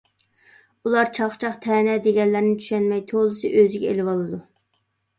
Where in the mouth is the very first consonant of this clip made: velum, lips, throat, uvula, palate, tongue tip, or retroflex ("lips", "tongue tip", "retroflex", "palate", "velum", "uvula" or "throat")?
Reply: tongue tip